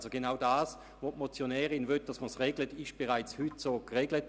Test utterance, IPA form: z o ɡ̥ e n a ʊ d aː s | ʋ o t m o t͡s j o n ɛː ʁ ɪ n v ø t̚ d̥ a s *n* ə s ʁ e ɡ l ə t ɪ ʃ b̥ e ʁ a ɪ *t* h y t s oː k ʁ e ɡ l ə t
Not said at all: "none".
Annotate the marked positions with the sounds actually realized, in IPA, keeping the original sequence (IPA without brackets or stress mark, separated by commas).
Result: m, t͡s